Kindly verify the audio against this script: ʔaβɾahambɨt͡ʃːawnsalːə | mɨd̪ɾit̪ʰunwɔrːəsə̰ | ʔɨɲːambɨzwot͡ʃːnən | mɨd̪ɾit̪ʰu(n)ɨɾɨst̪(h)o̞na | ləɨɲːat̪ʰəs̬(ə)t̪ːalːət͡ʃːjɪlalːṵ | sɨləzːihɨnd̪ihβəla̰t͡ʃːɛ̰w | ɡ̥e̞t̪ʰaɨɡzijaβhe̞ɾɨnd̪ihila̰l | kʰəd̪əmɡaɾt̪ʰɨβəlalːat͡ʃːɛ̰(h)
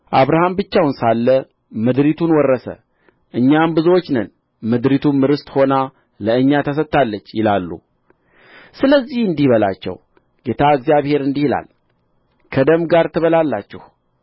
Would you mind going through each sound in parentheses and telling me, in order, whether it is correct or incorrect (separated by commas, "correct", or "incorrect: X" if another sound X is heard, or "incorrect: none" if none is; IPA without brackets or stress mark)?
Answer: incorrect: m, correct, correct, correct